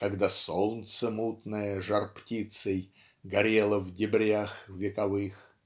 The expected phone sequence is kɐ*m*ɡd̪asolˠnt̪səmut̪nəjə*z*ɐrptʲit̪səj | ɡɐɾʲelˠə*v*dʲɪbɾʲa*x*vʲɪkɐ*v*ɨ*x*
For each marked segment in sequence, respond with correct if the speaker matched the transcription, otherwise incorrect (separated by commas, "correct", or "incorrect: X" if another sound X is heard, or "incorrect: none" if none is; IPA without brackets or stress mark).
incorrect: none, incorrect: ʐ, correct, correct, correct, correct